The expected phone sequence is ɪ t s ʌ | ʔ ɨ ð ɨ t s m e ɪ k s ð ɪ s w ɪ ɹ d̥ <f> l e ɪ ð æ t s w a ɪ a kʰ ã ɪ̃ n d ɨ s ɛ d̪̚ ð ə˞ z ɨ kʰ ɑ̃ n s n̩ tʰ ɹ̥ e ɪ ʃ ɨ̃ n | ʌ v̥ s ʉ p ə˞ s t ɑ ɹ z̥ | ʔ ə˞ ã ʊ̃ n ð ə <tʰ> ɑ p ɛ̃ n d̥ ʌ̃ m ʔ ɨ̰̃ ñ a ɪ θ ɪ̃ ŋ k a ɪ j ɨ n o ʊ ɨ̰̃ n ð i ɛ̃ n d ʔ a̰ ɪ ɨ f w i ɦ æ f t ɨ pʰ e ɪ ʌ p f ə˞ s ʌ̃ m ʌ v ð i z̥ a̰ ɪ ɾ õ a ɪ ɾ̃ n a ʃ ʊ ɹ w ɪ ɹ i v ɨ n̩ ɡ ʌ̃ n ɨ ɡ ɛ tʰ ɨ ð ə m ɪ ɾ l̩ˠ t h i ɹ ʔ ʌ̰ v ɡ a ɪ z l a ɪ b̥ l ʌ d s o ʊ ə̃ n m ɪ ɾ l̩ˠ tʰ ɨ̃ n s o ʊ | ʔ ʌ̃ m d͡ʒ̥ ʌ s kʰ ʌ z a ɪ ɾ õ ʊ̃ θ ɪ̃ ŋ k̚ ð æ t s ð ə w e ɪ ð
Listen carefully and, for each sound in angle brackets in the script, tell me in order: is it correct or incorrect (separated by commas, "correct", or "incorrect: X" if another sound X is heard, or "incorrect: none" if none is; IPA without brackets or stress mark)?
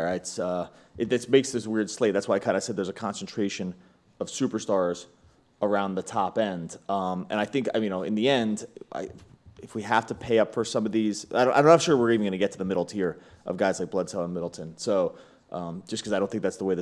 incorrect: s, correct